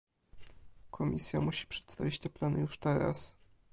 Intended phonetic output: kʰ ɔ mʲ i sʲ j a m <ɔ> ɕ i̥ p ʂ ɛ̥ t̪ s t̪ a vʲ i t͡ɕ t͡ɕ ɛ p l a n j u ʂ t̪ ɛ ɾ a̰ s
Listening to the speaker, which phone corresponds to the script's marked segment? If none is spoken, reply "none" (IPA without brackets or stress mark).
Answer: u